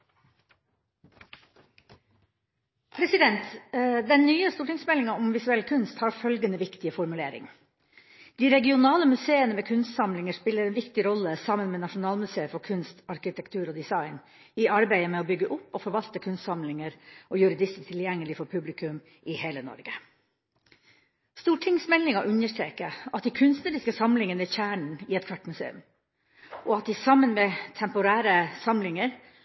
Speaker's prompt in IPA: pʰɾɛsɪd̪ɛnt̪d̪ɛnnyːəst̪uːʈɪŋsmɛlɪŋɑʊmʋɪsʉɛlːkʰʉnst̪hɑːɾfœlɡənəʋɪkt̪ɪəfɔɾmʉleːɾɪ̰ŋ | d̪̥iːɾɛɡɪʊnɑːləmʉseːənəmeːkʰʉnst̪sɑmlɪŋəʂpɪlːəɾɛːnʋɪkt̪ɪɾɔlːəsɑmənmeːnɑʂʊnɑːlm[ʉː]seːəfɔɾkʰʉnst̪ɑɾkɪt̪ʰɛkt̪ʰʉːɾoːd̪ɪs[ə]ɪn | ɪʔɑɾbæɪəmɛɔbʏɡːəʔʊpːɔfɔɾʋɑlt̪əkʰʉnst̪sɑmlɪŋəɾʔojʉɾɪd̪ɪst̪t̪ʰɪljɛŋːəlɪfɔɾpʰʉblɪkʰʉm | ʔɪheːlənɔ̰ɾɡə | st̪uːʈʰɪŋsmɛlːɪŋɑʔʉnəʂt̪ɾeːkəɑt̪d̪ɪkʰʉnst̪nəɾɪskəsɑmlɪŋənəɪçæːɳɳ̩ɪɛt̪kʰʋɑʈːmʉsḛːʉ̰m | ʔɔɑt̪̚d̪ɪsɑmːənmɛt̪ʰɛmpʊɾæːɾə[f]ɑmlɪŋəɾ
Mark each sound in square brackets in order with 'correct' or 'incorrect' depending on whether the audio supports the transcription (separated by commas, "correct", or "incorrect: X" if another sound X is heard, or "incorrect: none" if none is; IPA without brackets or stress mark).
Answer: incorrect: ʉ, incorrect: ɑ, incorrect: s